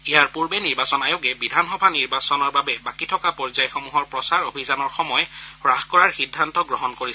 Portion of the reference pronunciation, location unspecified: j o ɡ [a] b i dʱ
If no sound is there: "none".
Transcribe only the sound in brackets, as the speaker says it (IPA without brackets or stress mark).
ɛ